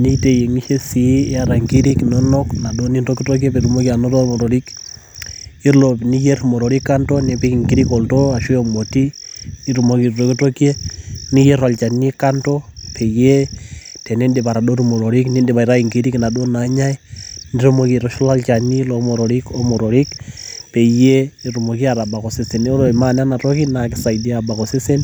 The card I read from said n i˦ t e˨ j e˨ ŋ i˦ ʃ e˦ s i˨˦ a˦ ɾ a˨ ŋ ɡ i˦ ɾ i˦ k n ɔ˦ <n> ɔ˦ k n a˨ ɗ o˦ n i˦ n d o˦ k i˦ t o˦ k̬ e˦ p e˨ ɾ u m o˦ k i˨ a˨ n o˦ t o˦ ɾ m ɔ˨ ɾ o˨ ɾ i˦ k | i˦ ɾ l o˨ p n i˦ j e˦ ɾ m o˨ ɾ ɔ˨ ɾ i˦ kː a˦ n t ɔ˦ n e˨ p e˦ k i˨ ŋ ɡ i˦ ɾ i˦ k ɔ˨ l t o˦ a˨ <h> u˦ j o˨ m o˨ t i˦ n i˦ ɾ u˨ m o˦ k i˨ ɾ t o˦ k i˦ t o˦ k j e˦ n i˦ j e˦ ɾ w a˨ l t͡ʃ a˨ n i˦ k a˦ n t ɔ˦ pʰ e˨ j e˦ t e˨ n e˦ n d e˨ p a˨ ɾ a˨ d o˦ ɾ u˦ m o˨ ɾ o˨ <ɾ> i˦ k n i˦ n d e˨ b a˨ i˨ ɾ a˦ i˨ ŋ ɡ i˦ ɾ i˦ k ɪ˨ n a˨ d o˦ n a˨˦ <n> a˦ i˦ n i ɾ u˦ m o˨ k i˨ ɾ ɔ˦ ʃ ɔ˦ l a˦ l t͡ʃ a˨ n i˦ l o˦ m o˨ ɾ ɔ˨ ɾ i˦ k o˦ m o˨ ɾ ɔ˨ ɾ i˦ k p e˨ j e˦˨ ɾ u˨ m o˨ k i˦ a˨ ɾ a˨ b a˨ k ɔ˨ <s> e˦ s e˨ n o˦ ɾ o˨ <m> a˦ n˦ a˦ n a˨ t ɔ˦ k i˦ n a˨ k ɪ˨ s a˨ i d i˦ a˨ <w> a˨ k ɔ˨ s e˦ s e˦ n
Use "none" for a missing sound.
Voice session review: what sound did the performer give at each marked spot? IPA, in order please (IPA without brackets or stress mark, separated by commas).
n, ʃ, ɾ, ɲ, s, m, b